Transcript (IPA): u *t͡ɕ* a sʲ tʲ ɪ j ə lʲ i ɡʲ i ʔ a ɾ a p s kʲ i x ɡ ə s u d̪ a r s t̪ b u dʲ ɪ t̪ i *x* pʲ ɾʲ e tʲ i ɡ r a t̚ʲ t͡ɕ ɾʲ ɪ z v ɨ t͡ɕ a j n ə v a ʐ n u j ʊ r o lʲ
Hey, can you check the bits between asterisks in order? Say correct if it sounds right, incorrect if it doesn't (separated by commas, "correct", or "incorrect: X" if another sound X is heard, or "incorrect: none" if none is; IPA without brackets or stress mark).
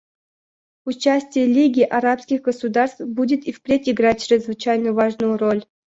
correct, incorrect: f